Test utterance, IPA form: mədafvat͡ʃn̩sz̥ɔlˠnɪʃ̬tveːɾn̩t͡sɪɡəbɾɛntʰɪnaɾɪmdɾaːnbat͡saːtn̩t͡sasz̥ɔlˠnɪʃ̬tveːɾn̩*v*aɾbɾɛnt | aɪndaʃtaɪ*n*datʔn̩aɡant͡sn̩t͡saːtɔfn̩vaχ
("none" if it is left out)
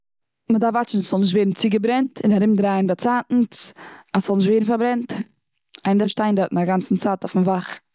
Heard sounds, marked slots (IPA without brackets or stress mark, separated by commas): f, n